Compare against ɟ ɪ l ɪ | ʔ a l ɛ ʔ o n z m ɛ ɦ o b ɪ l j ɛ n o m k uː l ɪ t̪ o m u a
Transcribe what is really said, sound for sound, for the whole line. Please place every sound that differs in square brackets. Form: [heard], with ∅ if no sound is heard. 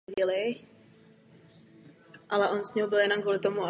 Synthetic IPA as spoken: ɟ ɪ l ɪ | ʔ a l ɛ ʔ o n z [ɲ] ɛ ɦ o b ɪ l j ɛ n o m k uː l ɪ t̪ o m u a